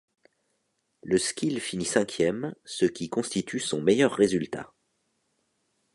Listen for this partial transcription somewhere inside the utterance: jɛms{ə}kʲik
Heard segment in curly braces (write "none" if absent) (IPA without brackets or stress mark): ə